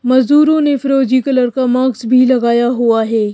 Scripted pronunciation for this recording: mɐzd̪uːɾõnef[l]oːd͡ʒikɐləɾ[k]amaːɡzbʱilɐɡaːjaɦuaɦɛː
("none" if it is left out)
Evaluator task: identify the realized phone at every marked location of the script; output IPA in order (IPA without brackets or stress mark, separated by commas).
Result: ɾ, k